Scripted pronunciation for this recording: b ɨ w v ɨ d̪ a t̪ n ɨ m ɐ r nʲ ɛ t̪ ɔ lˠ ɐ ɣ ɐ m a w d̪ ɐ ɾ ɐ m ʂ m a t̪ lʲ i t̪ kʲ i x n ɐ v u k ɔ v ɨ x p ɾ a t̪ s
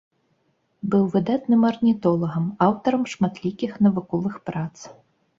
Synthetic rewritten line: b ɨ w v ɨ d̪ a t̪ n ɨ m ɐ r nʲ i t̪ ɔ lˠ ɐ ɣ ɐ m a w t̪ ɐ ɾ ɐ m ʂ m a t̪ lʲ i kʲ i x n ɐ v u k ɔ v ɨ x p ɾ a t̪ s